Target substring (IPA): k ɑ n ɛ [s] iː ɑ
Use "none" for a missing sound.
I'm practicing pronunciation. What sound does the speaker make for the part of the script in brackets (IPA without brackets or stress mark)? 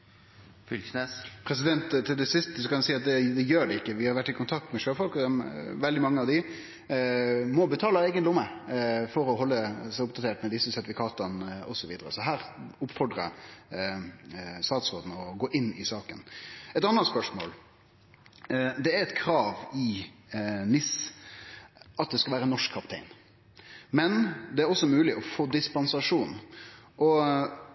s